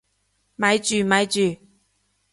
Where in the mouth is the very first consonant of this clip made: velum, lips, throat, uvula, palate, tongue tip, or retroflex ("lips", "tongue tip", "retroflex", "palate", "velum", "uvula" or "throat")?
lips